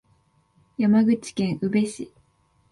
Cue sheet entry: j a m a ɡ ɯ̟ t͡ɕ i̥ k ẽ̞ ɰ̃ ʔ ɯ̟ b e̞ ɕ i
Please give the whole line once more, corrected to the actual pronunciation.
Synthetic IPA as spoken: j a m a ɡ ɯ̟ t͡ɕ i̥ k ẽ̞ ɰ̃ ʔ ɯ̟ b e̞ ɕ i

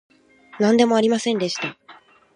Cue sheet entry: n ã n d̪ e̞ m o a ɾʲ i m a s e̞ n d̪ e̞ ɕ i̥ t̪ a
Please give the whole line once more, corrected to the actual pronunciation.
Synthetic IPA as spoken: n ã n d̪ e̞ m o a ɾʲ i m a s ẽ̞ n d̪ e̞ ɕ i̥ t̪ a

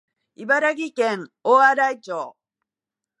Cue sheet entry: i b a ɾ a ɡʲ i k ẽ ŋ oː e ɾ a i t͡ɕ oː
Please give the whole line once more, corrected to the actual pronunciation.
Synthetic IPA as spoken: i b a ɾ a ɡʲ i k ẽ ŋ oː a ɾ a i t͡ɕ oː

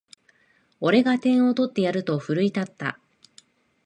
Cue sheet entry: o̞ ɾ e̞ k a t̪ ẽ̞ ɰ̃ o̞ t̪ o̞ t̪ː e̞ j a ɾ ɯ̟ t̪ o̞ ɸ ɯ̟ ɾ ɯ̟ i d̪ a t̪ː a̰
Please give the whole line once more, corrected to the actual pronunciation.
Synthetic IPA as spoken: o̞ ɾ e̞ ɡ a t̪ ẽ̞ ɰ̃ o̞ t̪ o̞ t̪ː e̞ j a ɾ ɯ̟ t̪ o̞ ɸ ɯ̟ ɾ ɯ̟ i t̪ a t̪ː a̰

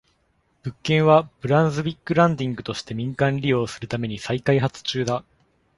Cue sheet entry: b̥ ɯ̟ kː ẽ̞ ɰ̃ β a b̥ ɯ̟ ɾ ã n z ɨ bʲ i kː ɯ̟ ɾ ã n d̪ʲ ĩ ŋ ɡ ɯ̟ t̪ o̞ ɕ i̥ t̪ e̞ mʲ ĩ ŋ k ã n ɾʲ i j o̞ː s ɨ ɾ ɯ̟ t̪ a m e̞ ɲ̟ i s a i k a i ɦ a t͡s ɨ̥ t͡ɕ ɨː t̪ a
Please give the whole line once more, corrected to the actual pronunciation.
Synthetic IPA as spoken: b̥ ɯ̟ kː ẽ̞ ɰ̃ β a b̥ ɯ̟ ɾ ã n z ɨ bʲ i kː ɯ̟ ɾ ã n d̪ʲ ĩ ŋ ɡ ɯ̟ t̪ o̞ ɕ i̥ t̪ e̞ mʲ ĩ ŋ k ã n ɾʲ i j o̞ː s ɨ ɾ ɯ̟ t̪ a m e̞ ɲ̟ i s a i k a i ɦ a t͡s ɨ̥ t͡ɕ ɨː d̪ a

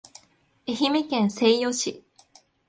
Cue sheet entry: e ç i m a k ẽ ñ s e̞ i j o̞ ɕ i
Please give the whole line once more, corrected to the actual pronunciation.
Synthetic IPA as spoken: e ç i m e k ẽ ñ s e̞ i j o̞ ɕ i

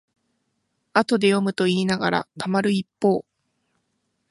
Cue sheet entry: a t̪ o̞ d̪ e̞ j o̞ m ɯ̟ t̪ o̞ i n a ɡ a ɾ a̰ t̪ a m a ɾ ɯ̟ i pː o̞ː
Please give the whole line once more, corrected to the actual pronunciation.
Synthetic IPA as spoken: a t̪ o̞ d̪ e̞ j o̞ m ɯ̟ t̪ o̞ iː n a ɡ a ɾ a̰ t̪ a m a ɾ ɯ̟ i pː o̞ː

